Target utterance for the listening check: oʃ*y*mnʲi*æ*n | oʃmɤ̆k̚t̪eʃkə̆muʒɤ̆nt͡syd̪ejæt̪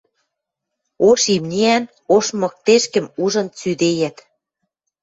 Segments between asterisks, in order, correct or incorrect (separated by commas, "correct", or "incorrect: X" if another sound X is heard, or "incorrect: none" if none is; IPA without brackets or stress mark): incorrect: i, correct